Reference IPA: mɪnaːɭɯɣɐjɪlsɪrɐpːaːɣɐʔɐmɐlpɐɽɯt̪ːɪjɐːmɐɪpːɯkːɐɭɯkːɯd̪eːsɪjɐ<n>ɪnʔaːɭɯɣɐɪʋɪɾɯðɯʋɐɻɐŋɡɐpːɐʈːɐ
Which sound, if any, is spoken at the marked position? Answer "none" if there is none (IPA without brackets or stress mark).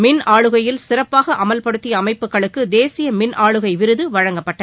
m